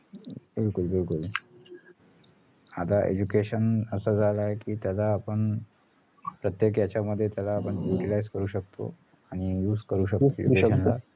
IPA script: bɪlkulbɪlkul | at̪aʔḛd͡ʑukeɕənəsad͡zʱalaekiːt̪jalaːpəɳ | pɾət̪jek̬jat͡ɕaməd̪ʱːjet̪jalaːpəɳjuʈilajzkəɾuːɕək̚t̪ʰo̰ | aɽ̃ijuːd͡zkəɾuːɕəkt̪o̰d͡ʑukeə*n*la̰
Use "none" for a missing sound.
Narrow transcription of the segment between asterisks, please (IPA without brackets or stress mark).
n